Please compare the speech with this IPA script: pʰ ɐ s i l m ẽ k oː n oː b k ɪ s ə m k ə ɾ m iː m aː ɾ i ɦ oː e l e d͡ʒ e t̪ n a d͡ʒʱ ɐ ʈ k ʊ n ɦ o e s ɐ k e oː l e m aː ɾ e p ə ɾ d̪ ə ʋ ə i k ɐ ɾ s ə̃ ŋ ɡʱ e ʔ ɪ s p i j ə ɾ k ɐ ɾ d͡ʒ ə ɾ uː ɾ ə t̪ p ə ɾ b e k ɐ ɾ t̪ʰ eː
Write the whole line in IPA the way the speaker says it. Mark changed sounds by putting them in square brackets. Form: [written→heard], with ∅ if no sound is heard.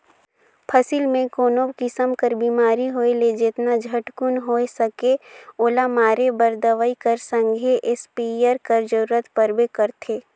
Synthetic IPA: pʰ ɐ s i l m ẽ k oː n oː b k ɪ s ə m k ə ɾ [m→b] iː m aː ɾ i ɦ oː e l e d͡ʒ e t̪ n a d͡ʒʱ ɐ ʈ k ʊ n ɦ o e s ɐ k e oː l [e→a] m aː ɾ e [p→b] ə ɾ d̪ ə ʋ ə i k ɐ ɾ s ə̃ ŋ ɡʱ e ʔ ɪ s p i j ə ɾ k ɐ ɾ d͡ʒ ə ɾ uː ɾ ə t̪ p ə ɾ b e k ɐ ɾ t̪ʰ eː